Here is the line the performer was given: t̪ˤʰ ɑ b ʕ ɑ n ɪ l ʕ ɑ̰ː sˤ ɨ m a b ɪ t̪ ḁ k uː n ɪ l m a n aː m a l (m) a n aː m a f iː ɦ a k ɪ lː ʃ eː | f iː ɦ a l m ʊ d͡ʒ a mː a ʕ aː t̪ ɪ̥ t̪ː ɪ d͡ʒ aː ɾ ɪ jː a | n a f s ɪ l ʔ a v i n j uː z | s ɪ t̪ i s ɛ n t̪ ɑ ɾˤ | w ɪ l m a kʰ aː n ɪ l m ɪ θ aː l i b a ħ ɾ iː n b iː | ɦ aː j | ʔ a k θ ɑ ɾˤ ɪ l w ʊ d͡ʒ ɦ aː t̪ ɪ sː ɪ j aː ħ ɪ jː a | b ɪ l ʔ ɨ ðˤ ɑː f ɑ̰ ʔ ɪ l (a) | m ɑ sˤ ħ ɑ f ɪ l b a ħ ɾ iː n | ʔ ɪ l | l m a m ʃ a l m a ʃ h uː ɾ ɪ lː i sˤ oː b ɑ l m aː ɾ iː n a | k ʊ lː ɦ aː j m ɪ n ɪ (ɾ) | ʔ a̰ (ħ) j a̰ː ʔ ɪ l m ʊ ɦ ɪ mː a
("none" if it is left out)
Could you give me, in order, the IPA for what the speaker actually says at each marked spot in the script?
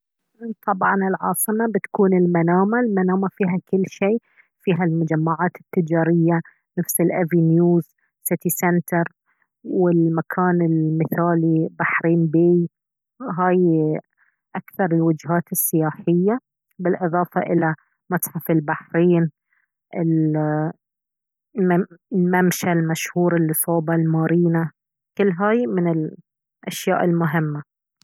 m, a, l, ʃ

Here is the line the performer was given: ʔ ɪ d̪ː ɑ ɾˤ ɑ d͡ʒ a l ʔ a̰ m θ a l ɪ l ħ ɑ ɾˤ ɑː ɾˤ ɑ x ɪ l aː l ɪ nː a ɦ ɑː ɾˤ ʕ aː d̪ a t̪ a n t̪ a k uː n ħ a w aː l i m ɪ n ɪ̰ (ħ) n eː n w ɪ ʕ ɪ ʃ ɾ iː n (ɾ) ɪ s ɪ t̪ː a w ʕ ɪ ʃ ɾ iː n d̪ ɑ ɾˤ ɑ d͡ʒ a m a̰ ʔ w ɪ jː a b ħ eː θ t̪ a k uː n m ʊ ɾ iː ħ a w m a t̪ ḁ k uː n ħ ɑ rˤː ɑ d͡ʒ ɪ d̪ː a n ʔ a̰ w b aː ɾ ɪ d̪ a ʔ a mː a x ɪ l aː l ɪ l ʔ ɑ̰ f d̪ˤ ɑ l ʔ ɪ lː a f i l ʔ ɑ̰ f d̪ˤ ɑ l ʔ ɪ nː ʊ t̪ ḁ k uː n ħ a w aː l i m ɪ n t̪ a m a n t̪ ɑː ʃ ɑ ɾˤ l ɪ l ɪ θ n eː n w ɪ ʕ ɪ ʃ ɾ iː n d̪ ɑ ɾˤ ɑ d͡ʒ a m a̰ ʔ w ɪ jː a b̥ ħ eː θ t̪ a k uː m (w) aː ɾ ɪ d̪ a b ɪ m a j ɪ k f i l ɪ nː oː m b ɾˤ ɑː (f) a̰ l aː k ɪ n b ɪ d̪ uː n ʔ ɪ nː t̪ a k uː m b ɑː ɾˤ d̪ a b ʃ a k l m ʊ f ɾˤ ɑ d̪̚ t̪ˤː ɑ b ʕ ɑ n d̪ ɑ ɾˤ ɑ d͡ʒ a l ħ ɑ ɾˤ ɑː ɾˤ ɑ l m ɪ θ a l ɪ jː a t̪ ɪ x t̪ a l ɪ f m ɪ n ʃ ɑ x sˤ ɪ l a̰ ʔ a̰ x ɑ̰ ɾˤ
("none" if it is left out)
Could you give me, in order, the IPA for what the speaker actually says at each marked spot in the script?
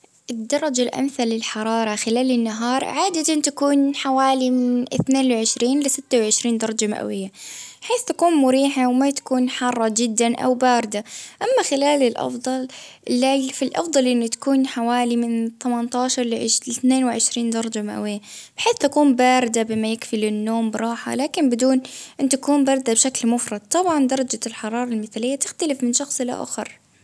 θ, l, b, ħ

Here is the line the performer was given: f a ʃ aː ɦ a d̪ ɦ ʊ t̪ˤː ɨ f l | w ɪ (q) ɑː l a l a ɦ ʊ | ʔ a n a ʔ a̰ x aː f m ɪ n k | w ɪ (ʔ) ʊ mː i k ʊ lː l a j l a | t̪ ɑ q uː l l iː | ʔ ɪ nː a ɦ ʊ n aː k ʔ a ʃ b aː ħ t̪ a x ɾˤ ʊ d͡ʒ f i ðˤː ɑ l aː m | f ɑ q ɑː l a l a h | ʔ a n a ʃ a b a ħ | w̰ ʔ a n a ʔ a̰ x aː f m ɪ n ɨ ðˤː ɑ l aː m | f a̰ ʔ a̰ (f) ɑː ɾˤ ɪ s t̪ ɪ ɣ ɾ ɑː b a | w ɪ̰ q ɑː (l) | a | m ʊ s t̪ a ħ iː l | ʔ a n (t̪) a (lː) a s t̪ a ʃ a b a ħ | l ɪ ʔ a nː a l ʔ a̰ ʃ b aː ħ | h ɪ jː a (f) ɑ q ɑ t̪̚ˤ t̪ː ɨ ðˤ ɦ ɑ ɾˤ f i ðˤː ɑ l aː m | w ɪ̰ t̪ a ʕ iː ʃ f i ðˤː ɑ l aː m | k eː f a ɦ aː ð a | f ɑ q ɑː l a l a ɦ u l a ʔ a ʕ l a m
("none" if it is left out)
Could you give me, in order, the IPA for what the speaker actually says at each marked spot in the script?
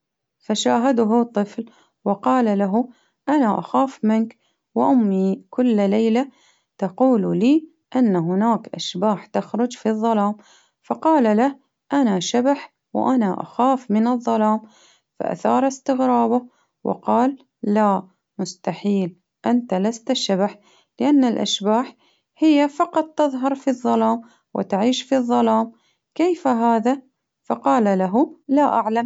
q, ʔ, θ, lː, t̪, l, f

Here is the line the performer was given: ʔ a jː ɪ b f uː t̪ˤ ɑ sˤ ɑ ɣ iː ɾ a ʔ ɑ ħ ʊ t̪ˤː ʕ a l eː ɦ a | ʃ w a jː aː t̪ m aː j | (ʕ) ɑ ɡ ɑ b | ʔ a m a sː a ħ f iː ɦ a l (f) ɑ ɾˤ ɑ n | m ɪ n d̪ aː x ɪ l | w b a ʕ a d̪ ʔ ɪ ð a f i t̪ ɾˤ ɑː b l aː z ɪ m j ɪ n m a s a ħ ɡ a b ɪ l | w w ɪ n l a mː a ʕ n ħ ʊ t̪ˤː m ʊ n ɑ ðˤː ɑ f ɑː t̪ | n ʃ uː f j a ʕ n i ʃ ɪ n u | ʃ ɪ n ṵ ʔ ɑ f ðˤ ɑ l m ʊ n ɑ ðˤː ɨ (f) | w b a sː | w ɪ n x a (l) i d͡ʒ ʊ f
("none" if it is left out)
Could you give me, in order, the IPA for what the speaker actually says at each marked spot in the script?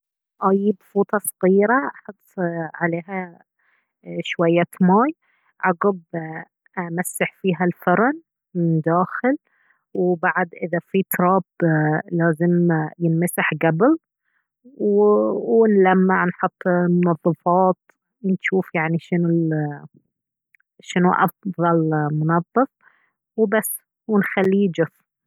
ʕ, f, f, lː

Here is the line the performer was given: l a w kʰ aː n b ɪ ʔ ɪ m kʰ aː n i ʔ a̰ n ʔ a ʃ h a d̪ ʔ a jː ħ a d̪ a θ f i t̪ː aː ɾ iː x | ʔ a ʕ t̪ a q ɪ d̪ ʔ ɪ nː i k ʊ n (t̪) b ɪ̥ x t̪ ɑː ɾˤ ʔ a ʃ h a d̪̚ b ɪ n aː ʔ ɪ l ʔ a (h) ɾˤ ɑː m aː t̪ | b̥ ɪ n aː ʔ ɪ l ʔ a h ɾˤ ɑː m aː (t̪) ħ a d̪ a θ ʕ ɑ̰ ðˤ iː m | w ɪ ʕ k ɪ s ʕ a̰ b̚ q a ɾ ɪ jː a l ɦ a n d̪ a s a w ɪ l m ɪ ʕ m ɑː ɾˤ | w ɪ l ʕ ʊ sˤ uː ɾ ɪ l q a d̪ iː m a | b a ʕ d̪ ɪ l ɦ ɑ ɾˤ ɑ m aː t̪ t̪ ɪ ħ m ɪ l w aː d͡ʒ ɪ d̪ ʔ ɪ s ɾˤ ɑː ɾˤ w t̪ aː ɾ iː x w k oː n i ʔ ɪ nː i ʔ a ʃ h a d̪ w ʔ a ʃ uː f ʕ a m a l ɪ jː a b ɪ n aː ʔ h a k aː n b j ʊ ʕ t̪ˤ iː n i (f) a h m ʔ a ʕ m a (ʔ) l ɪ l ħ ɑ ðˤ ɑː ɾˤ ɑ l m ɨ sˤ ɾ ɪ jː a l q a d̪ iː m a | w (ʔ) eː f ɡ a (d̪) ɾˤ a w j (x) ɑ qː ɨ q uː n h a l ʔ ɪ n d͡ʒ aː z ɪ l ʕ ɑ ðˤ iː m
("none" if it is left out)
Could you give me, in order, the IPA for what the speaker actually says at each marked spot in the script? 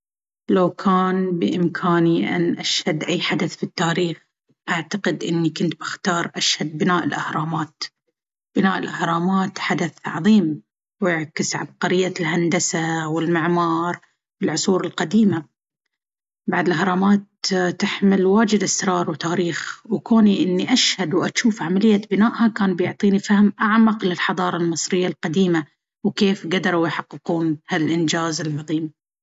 t̪, h, t̪, f, q, k, d̪, ħ

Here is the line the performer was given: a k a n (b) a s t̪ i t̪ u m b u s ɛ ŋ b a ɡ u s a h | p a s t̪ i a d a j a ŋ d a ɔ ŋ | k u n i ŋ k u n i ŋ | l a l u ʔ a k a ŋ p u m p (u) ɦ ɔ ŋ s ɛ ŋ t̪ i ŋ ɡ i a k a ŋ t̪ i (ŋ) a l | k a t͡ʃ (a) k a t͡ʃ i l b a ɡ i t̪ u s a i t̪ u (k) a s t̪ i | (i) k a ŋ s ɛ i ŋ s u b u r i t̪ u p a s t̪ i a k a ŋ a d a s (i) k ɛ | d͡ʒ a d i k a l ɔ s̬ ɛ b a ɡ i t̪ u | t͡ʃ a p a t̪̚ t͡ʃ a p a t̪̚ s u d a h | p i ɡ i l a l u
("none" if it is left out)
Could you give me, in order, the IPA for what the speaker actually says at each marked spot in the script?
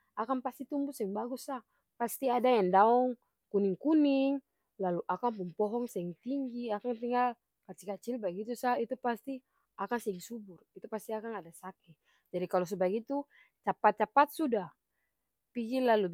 p, ɔ, ŋ, i, p, a, a

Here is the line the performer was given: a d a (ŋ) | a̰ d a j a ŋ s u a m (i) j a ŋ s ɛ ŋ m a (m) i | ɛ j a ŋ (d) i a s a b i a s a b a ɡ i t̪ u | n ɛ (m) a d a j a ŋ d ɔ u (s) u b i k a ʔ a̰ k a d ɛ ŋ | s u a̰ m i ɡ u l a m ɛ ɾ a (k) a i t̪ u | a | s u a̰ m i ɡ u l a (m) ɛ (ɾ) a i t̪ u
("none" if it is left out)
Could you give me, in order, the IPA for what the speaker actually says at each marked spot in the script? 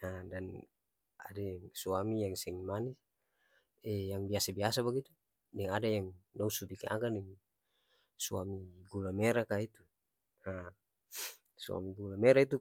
n, i, n, b, ŋ, s, k, m, ɾ

